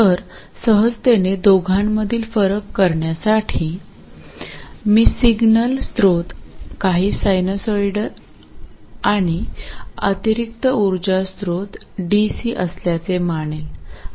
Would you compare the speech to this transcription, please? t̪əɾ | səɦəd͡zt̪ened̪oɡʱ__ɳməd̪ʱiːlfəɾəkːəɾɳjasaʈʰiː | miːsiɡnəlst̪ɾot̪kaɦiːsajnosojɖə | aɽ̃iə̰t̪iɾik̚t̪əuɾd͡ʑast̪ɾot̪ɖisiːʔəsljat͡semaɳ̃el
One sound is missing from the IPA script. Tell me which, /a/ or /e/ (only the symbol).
a